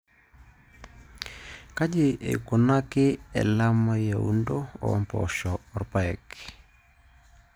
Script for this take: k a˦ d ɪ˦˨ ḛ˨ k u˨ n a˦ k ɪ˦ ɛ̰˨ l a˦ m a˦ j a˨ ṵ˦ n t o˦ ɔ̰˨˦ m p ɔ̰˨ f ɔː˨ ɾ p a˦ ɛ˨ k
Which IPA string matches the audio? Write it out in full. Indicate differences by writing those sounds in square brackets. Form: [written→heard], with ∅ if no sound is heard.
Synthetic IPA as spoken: k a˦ [d→d͡ʒ] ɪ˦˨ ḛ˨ k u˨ n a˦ k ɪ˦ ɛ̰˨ l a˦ m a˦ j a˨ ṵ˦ n [t→d] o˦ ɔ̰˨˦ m p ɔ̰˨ [f→ʃ] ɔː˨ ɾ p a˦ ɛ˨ k